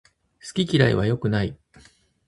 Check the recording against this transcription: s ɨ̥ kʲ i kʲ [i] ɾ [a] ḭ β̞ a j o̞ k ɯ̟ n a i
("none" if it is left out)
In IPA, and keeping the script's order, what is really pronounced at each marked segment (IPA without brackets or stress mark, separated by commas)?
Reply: i, a